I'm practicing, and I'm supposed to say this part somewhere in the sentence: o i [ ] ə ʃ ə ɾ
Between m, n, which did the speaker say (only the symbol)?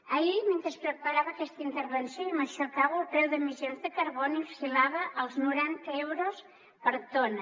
m